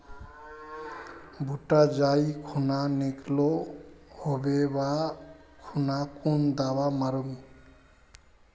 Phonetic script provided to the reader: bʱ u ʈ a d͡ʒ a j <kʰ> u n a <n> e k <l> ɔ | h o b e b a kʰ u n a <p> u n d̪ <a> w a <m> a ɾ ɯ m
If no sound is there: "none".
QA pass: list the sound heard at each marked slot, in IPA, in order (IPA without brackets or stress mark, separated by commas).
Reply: kʰ, n, l, k, a, m